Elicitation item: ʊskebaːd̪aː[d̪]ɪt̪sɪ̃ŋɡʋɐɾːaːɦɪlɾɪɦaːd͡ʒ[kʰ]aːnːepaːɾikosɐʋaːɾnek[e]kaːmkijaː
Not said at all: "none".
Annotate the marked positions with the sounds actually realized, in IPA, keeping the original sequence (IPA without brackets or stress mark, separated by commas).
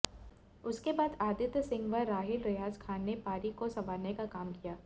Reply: d̪, kʰ, a